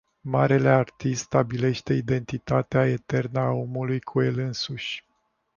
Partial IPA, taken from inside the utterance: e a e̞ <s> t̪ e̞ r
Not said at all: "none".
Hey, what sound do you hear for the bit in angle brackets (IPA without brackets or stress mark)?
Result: none